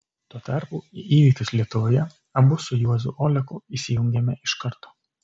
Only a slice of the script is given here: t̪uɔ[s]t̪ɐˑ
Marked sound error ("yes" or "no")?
yes